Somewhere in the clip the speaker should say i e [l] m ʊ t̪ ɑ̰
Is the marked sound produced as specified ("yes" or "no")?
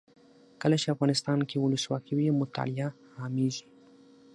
no